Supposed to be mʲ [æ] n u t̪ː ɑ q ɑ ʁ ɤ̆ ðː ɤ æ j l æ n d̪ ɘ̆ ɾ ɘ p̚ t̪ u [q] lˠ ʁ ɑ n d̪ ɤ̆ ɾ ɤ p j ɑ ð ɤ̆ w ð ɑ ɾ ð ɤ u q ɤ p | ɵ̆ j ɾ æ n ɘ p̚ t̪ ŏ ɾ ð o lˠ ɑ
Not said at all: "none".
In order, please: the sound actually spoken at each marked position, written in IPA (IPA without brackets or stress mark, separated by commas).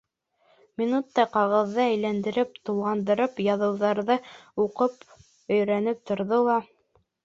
i, none